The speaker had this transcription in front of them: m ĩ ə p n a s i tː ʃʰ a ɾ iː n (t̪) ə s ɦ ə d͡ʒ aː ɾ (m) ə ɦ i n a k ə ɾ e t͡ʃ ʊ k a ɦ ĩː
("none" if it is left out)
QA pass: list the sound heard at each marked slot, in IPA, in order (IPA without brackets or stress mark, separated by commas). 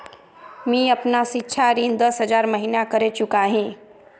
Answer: d̪, m